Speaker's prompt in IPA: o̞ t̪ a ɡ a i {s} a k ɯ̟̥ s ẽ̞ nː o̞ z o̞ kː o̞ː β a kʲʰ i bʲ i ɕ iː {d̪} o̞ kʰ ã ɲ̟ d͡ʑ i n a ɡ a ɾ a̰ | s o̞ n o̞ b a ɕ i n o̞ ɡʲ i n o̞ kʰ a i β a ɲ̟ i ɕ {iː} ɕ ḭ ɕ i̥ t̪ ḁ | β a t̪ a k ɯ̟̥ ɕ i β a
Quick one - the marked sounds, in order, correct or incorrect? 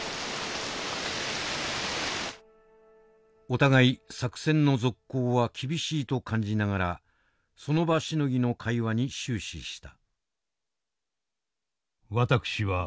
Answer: correct, incorrect: t̪, incorrect: ɨː

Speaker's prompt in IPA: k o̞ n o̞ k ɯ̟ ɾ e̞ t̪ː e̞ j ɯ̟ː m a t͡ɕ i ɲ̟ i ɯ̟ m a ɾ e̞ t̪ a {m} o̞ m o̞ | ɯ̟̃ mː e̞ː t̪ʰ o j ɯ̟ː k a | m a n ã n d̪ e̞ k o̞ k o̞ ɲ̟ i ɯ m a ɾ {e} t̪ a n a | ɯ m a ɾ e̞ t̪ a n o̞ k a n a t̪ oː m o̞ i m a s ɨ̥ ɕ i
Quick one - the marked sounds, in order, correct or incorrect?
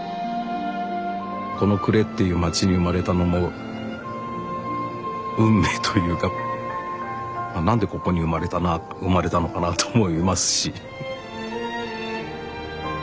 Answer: incorrect: n, correct

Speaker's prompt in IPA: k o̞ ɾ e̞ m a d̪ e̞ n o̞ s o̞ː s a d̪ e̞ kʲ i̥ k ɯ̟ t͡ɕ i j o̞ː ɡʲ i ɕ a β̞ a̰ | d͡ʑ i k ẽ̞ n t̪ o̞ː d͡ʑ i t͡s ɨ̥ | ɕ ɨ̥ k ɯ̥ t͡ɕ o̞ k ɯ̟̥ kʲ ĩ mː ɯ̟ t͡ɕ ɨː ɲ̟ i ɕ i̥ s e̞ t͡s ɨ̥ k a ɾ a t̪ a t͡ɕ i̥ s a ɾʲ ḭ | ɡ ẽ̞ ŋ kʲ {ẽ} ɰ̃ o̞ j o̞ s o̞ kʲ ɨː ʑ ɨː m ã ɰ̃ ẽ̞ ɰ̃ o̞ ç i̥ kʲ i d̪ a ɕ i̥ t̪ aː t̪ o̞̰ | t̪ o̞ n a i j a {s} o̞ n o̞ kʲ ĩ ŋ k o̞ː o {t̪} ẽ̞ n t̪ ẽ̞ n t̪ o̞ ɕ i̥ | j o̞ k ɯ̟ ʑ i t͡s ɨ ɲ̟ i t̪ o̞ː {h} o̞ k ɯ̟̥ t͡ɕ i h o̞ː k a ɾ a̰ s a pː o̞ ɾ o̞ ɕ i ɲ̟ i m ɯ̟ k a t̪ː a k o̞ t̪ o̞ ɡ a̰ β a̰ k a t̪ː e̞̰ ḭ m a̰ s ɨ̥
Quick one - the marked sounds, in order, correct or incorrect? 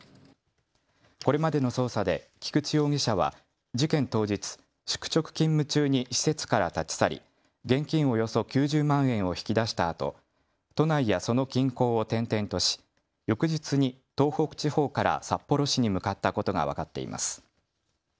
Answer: incorrect: ĩ, correct, correct, correct

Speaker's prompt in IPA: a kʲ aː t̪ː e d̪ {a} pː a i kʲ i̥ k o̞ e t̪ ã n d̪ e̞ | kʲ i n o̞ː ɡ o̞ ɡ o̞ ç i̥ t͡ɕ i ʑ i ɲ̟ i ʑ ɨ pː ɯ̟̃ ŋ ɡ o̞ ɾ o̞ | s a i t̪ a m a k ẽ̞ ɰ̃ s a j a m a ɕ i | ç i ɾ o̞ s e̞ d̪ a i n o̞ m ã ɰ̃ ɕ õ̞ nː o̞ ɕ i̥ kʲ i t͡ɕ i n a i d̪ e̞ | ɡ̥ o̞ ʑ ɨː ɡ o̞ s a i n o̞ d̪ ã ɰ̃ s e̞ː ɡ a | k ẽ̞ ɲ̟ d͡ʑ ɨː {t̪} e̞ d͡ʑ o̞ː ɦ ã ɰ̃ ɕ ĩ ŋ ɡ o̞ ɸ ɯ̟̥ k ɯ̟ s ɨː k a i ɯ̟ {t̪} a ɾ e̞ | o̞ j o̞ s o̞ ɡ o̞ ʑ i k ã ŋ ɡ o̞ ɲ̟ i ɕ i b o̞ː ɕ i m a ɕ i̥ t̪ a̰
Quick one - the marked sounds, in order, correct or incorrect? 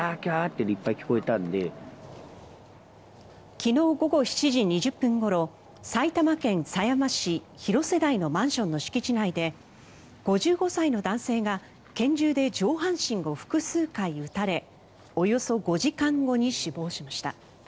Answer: incorrect: i, incorrect: d̪, correct

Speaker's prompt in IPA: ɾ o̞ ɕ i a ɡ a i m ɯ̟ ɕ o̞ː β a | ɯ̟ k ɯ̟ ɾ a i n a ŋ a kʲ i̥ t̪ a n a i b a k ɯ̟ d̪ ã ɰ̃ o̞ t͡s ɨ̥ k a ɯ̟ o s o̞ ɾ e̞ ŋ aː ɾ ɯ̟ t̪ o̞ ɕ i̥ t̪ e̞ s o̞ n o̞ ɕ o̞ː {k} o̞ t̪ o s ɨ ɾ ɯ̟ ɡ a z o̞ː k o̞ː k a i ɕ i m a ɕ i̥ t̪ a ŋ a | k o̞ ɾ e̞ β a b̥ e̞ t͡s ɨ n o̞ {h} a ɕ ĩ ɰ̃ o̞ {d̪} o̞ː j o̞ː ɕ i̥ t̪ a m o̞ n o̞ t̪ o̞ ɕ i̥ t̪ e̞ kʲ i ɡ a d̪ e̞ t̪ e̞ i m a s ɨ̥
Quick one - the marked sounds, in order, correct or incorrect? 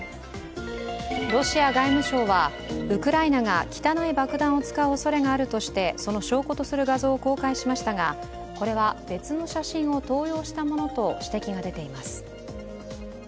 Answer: correct, incorrect: ɕ, incorrect: t̪

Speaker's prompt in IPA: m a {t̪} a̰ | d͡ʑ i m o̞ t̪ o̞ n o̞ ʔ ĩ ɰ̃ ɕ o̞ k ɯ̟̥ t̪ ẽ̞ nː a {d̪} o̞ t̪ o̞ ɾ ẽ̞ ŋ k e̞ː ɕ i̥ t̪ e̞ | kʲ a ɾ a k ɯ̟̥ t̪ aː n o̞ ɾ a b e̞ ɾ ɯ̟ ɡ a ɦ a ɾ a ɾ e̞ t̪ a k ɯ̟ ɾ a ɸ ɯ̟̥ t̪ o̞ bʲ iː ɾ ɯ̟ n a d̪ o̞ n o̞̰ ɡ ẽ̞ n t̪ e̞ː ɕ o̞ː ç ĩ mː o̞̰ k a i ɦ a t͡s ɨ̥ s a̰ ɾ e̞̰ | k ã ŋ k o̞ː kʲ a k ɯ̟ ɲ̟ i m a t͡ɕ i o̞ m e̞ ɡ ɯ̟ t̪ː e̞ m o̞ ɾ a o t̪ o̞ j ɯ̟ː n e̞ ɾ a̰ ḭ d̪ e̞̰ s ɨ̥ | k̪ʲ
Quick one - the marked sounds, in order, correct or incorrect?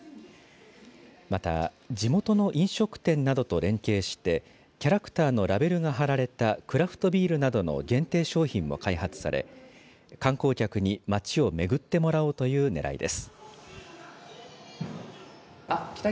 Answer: correct, correct

